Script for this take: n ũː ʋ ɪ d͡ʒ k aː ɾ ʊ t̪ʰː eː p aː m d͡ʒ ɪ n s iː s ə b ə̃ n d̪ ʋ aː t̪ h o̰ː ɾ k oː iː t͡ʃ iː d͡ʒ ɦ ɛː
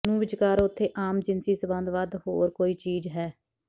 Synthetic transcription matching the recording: n ũː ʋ ɪ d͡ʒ k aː ɾ ʊ t̪ʰː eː ʔ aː m d͡ʒ ɪ n s iː s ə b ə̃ n d̪ ʋ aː d̪ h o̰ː ɾ k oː iː t͡ʃ iː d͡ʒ ɦ ɛː

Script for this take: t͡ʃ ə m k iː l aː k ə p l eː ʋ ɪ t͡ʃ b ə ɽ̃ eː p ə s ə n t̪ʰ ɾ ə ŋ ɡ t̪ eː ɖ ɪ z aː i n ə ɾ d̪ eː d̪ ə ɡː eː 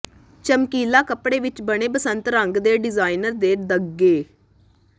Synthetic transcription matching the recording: t͡ʃ ə m k iː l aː k ə p ɽ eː ʋ ɪ t͡ʃ b ə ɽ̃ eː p ə s ə n t̪ ɾ ə ŋ ɡ d̪ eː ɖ ɪ z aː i n ə ɾ d̪ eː d̪ ə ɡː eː

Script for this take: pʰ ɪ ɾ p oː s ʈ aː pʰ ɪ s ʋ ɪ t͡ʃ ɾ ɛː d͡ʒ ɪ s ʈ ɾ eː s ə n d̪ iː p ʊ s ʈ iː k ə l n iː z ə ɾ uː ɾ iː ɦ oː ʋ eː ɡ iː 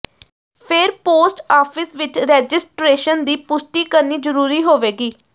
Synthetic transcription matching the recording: pʰ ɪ ɾ p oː s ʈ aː pʰ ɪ s ʋ ɪ t͡ʃ ɾ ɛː d͡ʒ ɪ s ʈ ɾ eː ʃ ə n d̪ iː p ʊ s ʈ iː k ə ɾ n iː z ə ɾ uː ɾ iː ɦ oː ʋ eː ɡ iː

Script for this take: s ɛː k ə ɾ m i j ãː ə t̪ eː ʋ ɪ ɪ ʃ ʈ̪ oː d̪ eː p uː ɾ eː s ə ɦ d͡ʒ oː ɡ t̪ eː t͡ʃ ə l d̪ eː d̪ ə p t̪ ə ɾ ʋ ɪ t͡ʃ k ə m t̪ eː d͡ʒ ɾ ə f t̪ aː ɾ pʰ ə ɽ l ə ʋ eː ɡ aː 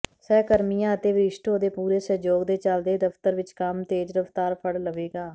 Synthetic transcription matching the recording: s ɛː k ə ɾ m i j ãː ə t̪ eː ʋ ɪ ɪ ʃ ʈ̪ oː d̪ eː p uː ɾ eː s ə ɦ d͡ʒ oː ɡ d̪ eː t͡ʃ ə l d̪ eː d̪ ə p t̪ ə ɾ ʋ ɪ t͡ʃ k ə m t̪ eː d͡ʒ ɾ ə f t̪ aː ɾ pʰ ə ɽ l ə ʋ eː ɡ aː

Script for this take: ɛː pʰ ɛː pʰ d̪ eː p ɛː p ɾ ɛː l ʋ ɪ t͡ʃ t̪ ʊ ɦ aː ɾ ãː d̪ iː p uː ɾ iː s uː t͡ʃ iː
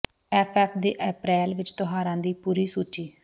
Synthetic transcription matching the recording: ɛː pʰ ɛː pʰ d̪ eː ʔ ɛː p ɾ ɛː l ʋ ɪ t͡ʃ t̪ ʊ ɦ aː ɾ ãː d̪ iː p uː ɾ iː s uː t͡ʃ iː

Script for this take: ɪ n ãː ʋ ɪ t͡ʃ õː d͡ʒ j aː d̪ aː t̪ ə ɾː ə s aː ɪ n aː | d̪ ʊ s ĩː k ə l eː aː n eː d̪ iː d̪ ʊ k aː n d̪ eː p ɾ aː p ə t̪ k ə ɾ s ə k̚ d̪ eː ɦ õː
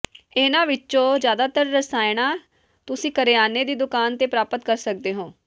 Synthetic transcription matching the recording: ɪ n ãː ʋ ɪ t͡ʃ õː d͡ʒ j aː d̪ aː t̪ ə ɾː ə s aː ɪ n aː | t̪ ʊ s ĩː k ə ɾ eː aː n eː d̪ iː d̪ ʊ k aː n t̪ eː p ɾ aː p ə t̪ k ə ɾ s ə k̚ d̪ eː ɦ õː

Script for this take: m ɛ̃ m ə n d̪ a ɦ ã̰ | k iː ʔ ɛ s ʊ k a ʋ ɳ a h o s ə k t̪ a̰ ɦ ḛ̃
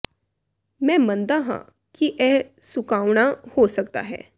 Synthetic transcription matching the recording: m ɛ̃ m ə n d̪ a ɦ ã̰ | k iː ʔ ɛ s u k a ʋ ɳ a h o s ə k t̪ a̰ ɦ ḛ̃

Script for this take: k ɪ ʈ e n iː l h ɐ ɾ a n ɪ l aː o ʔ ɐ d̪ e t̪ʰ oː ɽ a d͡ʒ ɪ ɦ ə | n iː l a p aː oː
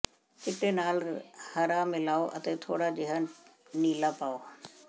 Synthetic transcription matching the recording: k ɪ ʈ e n aː l h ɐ ɾ a m ɪ l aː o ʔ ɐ t̪ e t̪ʰ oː ɽ a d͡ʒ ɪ ɦ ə | n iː l a p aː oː

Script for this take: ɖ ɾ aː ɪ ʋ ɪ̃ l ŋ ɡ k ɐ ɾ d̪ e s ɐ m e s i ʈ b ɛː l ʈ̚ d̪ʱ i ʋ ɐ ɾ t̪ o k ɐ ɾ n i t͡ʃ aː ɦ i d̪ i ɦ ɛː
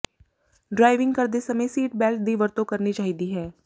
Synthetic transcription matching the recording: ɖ ɾ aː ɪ ʋ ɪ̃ ŋ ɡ k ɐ ɾ d̪ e s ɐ m e s iː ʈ b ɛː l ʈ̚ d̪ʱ i ʋ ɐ ɾ t̪ o k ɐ ɾ n i t͡ʃ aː ɦ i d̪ i ɦ ɛː

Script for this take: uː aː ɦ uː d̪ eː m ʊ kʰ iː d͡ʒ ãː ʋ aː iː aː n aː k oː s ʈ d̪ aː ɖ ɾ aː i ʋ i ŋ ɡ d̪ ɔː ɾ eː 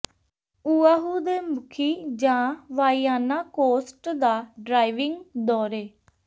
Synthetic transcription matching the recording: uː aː ɦ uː d̪ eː m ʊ kʰ iː d͡ʒ ãː ʋ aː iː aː n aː k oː s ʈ d̪ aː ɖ ɾ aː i ʋ ɪ ŋ ɡ d̪ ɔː ɾ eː

